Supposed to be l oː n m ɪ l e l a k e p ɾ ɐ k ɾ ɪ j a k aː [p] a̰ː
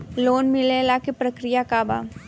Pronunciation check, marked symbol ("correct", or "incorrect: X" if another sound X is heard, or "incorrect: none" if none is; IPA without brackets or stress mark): incorrect: b